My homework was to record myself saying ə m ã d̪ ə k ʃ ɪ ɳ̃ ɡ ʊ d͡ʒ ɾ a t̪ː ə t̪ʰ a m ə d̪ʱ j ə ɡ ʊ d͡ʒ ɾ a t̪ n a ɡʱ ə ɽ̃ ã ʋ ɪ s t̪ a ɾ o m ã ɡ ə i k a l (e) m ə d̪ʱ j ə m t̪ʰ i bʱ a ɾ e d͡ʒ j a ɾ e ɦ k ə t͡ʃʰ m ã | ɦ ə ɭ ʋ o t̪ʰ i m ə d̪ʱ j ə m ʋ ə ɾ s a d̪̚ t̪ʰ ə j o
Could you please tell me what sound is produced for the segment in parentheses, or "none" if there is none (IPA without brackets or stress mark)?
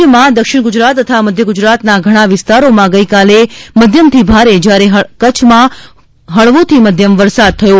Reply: e